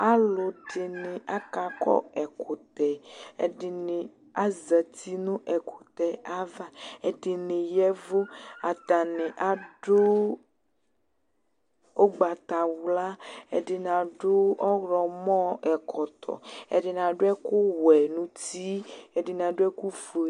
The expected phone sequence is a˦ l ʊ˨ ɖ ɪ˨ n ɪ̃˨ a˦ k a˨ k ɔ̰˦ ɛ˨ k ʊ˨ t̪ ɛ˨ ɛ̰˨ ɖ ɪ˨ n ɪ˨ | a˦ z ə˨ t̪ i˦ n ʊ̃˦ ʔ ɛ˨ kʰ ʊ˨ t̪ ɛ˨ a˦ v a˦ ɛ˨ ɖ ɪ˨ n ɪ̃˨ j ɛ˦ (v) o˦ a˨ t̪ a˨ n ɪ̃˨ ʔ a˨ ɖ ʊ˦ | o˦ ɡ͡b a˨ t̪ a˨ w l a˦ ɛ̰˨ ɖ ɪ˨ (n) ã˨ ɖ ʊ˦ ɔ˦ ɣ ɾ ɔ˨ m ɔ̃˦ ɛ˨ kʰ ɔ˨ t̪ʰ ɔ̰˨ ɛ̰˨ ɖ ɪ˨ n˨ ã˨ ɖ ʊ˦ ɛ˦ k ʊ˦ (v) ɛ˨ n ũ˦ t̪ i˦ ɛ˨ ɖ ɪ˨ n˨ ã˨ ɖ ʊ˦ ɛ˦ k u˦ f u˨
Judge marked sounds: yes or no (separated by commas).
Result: yes, yes, no